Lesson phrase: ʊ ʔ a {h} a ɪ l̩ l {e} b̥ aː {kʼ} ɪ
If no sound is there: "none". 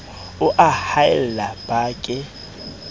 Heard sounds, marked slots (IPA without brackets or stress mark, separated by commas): h, a, kʼ